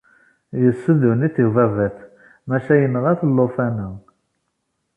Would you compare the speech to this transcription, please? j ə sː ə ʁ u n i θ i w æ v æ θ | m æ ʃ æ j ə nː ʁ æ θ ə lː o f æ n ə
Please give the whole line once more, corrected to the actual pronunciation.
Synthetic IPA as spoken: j ə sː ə ð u n i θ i v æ v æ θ | m æ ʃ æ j ə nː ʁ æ θ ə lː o f æ n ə